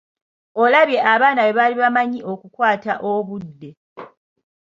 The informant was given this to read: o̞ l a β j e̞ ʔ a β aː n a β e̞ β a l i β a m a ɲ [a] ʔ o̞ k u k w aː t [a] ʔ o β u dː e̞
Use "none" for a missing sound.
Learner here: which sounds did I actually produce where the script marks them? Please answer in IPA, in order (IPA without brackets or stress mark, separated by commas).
i, a